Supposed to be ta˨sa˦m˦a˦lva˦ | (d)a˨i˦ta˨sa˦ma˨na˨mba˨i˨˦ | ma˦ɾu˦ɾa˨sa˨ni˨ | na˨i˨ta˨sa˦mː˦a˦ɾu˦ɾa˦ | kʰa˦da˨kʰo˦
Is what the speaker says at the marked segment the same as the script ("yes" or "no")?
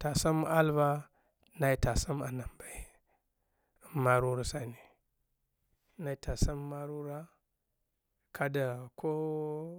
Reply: no